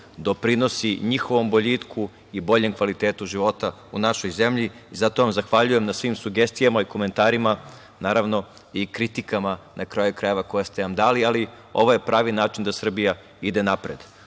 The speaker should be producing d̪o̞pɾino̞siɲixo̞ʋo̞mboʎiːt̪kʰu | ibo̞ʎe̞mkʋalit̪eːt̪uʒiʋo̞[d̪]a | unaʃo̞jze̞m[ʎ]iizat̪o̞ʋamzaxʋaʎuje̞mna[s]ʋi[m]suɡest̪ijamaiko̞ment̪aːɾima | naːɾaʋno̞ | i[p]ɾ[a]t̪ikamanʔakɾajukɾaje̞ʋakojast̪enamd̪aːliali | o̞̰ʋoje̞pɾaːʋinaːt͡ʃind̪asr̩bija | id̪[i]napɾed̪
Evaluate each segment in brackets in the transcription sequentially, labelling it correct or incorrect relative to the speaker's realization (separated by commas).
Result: incorrect, correct, correct, correct, incorrect, incorrect, incorrect